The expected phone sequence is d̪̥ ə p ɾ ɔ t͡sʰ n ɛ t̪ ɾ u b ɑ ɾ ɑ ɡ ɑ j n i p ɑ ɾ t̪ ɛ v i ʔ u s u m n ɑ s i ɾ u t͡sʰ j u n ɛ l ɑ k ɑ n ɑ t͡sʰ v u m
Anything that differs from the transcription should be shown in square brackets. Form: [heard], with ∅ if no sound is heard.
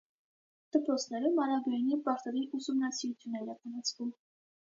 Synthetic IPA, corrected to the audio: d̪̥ ə p ɾ ɔ t͡sʰ n ɛ [∅] ɾ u [m] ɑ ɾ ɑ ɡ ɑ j n i p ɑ ɾ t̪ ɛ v i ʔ u s u m n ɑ s i ɾ u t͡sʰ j u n ɛ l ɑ k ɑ n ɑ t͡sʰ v u m